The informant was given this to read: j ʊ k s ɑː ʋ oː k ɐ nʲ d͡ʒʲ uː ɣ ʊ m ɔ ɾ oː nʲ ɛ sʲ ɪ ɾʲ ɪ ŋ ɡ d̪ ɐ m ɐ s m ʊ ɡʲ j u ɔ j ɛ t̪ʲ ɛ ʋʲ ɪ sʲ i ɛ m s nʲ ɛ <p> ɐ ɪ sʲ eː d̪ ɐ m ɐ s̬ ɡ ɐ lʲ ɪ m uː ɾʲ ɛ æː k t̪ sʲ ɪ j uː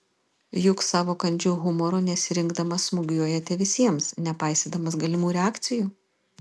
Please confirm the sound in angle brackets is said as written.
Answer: yes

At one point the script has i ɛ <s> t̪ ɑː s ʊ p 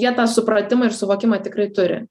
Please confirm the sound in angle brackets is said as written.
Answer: no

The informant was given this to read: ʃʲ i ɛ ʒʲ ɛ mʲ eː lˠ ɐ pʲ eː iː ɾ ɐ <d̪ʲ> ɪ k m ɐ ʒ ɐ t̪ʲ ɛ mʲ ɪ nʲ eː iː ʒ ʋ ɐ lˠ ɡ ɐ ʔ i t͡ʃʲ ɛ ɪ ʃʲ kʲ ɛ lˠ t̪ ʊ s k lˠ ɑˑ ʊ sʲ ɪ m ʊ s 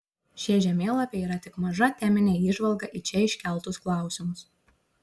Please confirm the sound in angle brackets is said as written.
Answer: no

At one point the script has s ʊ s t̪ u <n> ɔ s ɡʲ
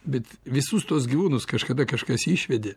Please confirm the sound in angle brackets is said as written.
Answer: no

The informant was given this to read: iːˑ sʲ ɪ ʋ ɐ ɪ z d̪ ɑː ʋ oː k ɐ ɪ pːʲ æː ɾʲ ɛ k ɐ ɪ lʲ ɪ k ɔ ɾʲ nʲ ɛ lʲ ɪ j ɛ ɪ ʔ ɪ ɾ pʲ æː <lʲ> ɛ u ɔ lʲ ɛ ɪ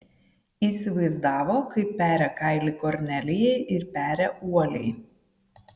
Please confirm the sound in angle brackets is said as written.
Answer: no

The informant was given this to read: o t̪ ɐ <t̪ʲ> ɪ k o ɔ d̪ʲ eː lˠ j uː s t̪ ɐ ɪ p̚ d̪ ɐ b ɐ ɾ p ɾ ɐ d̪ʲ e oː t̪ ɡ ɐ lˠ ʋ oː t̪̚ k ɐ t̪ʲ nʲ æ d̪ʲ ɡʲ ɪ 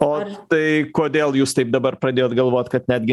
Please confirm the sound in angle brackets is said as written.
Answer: no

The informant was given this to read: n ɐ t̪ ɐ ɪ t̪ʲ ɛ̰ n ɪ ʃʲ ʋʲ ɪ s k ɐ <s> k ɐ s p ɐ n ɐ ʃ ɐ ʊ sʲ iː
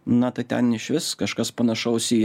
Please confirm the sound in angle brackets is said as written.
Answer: no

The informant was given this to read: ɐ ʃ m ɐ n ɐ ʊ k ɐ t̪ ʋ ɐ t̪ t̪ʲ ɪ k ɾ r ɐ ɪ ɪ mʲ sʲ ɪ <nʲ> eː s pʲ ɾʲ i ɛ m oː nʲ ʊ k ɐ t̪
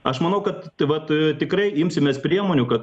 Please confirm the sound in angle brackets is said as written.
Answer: no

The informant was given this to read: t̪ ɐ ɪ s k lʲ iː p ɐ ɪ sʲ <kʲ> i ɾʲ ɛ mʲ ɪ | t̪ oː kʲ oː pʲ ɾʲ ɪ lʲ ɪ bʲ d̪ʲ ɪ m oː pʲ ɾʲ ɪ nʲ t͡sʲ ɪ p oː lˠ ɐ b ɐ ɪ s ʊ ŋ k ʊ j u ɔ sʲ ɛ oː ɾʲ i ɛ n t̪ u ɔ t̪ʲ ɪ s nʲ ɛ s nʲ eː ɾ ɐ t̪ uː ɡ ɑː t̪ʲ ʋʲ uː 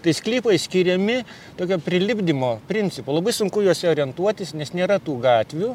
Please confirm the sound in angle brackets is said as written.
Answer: yes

